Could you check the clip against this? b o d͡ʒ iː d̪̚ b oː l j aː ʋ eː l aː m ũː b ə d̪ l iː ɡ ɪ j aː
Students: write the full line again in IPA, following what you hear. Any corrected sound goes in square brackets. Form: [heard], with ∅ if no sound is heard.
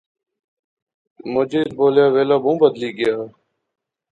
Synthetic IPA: [m] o d͡ʒ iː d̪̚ b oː l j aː ʋ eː l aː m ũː b ə d̪ l iː ɡ ɪ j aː